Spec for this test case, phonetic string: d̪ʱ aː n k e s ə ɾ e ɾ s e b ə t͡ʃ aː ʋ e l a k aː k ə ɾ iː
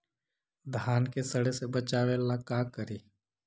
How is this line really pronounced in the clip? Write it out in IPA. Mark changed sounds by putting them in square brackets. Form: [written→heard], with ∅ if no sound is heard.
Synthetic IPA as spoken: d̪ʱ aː n k e s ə [ɾ→ɽ] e [ɾ→∅] s e b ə t͡ʃ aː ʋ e l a k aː k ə ɾ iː